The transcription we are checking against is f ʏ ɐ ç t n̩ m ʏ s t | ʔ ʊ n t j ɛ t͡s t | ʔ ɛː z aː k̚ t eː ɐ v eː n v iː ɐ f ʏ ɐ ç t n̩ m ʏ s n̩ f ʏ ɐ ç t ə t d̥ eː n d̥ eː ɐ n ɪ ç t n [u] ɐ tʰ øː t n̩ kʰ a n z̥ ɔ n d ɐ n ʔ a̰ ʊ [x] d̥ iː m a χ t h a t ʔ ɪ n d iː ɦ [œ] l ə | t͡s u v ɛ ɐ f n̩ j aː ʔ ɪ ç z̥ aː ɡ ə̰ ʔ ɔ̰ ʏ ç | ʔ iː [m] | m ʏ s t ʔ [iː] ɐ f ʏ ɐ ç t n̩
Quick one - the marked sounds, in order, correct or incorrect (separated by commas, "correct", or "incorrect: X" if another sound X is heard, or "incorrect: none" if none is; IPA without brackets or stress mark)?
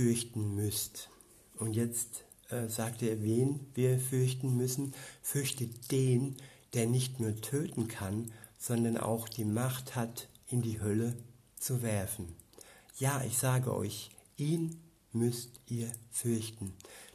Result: incorrect: uː, correct, correct, incorrect: n, correct